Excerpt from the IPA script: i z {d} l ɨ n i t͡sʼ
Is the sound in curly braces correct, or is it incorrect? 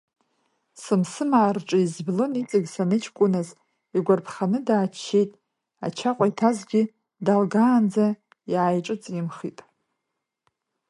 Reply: incorrect